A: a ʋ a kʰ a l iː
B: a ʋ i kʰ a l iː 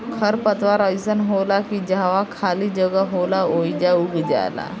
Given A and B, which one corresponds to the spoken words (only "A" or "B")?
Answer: A